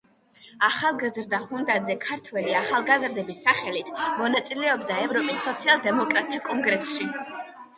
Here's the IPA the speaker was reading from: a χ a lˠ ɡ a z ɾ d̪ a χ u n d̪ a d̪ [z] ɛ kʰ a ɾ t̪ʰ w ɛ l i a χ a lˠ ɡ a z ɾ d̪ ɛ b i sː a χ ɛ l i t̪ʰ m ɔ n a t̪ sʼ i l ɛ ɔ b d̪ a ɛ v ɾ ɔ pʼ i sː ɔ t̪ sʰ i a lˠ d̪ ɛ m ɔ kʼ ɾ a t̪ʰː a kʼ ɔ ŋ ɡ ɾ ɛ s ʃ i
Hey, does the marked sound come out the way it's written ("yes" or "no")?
yes